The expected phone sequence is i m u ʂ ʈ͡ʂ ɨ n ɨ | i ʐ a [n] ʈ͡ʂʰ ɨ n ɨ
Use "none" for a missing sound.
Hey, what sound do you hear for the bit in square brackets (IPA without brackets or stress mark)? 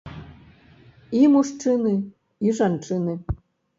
n